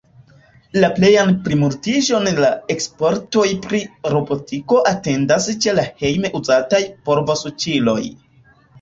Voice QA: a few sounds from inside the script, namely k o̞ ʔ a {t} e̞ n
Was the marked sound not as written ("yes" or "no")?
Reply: no